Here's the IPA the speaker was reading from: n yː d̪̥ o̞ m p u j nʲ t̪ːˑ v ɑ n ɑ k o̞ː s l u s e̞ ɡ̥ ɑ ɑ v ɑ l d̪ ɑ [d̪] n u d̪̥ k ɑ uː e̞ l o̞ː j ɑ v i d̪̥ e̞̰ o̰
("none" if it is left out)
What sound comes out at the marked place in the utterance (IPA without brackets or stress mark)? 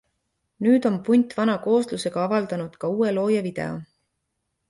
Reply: none